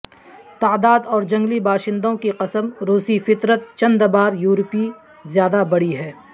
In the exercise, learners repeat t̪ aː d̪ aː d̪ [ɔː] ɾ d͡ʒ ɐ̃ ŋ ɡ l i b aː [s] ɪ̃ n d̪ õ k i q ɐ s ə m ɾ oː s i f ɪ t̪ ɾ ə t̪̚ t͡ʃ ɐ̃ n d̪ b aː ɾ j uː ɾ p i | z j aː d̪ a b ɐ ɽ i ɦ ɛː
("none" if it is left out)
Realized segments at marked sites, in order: ɔː, ʃ

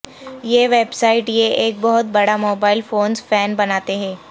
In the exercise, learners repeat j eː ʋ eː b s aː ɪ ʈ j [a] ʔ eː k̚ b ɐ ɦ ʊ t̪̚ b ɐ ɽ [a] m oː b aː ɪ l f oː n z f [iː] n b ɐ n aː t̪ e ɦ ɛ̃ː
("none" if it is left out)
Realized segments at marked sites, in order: e, a, ɛː

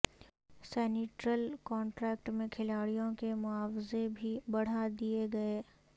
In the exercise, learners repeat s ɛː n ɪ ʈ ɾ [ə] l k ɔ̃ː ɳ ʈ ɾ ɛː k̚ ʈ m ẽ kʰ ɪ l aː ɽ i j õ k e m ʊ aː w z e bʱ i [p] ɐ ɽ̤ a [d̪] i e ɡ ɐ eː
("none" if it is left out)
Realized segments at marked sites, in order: ə, b, d̪

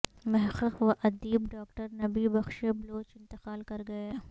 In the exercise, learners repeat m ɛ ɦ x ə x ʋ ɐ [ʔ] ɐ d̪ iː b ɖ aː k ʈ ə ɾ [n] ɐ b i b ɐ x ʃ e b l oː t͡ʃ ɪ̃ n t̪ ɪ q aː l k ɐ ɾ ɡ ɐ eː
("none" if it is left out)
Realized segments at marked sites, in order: ʔ, n

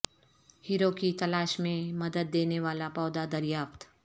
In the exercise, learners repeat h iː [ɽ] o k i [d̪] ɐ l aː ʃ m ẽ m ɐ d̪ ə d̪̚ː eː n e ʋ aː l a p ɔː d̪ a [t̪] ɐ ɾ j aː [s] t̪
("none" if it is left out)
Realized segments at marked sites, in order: ɾ, t̪, d̪, f

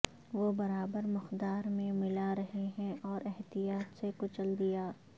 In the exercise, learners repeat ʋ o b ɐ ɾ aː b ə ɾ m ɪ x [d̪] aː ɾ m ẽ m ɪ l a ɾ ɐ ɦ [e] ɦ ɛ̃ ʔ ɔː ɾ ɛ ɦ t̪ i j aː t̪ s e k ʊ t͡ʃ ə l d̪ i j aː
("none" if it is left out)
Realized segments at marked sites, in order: d̪, e

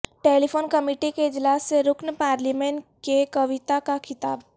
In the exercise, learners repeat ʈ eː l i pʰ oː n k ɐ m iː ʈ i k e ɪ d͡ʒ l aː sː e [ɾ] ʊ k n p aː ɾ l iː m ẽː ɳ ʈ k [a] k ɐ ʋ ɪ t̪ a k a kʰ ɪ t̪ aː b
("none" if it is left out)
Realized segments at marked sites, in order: ɾ, e

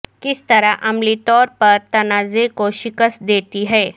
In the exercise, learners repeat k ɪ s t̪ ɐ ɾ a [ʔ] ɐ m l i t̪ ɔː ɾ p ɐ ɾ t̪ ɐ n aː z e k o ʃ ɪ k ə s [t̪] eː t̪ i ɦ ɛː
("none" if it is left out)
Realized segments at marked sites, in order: ʔ, d̪

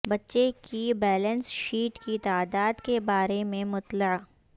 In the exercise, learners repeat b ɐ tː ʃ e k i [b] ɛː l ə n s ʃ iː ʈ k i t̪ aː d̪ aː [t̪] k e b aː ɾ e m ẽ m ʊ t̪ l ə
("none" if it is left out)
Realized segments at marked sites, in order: b, d̪

